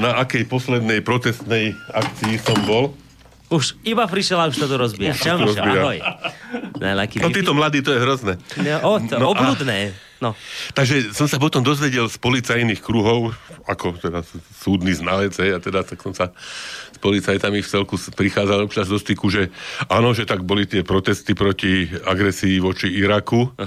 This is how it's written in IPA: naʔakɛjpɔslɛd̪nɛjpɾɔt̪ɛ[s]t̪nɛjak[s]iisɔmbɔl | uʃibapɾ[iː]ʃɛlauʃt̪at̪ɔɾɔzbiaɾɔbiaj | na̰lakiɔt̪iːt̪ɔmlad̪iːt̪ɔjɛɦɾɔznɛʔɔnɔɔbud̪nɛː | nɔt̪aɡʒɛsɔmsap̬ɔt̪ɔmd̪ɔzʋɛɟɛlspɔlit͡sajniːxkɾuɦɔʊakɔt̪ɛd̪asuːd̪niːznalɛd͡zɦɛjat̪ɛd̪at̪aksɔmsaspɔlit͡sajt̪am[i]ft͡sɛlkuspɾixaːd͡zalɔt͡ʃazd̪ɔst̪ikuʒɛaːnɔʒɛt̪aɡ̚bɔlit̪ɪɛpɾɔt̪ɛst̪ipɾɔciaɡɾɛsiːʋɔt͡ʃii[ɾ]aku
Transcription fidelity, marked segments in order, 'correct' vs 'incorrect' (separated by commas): correct, incorrect, incorrect, correct, correct